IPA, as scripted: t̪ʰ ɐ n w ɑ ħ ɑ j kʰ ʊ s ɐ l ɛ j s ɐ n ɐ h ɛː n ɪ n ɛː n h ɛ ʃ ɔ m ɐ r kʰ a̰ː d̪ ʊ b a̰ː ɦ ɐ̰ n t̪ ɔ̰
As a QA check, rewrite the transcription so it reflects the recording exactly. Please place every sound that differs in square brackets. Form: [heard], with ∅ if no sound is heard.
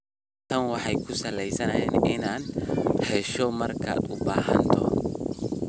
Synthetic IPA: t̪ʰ ɐ n w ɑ ħ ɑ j kʰ ʊ s ɐ l ɛ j s ɐ n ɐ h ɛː n ɪ n [aː] n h ɛ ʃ ɔ m ɐ r kʰ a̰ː d̪ ʊ b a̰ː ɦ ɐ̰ n [t̪ʰ] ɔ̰